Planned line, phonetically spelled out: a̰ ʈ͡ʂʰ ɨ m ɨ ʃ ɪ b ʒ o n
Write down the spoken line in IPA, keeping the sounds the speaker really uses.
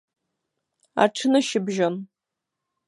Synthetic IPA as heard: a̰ ʈ͡ʂʰ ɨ n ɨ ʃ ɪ b ʒ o n

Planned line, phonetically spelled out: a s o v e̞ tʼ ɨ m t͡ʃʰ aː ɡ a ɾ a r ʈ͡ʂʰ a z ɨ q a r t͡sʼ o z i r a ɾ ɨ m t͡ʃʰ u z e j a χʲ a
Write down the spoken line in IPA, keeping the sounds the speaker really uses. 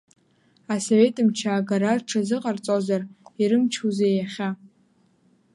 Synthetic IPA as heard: a s o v e̞ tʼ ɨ m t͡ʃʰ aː ɡ a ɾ a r ʈ͡ʂʰ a z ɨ qʼ a r t͡sʼ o z a r i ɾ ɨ m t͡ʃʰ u z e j a χʲ a

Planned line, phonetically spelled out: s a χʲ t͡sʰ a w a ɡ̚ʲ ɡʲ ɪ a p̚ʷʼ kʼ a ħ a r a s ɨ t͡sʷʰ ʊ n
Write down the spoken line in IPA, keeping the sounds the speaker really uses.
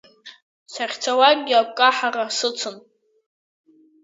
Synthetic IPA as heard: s a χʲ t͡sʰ a w a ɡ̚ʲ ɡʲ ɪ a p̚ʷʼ kʼ a ħ a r a s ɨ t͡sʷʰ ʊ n

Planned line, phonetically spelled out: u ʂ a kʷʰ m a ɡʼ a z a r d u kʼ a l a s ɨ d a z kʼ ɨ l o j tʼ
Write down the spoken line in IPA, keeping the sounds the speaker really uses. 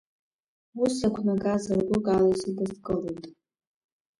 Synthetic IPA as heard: u s a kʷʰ n a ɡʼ a z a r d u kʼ a l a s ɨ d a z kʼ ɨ l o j tʼ

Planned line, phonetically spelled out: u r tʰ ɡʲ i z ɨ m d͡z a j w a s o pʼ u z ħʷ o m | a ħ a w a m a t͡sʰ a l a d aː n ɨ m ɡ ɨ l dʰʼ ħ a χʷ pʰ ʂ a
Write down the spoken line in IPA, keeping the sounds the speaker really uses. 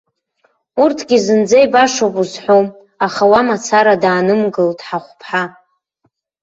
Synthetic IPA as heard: u r tʰ ɡʲ i z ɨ n d͡z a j b a ʂ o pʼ u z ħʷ o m | a χ a w a m a t͡sʰ a ɾ a d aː n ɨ m ɡ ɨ l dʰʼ ħ a χʷ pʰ ħ a

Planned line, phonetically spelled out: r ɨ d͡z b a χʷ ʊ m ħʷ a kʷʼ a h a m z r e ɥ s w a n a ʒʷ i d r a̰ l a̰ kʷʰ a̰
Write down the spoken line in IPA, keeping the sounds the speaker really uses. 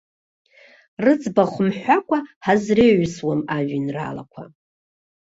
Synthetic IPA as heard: r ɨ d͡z b a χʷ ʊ m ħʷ a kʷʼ a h a z r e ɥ s w a m a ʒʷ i n r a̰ l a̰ kʷʰ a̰

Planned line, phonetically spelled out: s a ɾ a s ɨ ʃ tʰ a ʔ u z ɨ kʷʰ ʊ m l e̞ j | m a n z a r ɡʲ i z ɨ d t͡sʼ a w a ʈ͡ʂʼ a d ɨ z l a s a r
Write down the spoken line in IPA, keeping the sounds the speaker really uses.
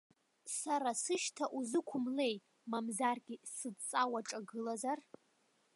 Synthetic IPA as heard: s a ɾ a s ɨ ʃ tʰ a ʔ u z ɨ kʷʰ ʊ m l e̞ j | m a m z a r ɡʲ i s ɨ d t͡sʼ a w a ʈ͡ʂʼ a ɡ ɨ l a z a r

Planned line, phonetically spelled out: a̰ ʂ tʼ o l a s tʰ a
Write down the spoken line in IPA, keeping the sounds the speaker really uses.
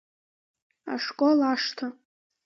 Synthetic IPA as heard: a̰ ʂ kʼ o l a ʂ tʰ a

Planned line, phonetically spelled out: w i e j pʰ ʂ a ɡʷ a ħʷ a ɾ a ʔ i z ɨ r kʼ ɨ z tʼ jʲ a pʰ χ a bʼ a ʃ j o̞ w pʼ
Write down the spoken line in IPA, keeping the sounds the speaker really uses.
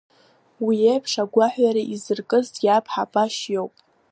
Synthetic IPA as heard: w i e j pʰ ʂ a ɡʷ a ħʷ a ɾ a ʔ i z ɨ r kʼ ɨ z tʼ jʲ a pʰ ħ a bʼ a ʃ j o̞ w pʼ

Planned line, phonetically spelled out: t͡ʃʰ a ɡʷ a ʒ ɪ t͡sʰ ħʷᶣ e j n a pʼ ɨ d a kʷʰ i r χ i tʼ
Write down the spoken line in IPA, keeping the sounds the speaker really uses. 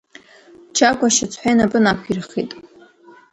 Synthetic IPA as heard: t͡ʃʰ a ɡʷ a ʃ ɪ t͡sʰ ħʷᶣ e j n a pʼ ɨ n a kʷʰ i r χ i tʼ

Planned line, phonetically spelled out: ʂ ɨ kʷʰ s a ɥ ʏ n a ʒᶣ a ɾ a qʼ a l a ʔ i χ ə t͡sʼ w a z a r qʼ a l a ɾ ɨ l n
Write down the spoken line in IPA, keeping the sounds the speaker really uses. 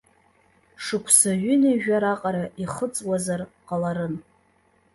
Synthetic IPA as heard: ʂ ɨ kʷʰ s a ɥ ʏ n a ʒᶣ a ɾ a qʼ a ɾ a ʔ i χ ə t͡sʼ w a z a r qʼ a l a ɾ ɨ n

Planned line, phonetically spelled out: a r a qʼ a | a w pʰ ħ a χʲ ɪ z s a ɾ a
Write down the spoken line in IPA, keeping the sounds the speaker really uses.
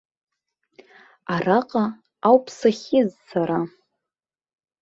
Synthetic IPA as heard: a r a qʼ a | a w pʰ s a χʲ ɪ z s a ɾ a

